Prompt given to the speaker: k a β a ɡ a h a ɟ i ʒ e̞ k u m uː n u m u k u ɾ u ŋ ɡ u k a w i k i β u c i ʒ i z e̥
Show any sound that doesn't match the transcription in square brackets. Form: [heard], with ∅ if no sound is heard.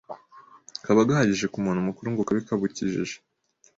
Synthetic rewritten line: k a β a ɡ a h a ɟ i ʒ e̞ k u m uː n u m u k u ɾ u ŋ ɡ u k a [β] i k [a] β u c i ʒ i [ʒ] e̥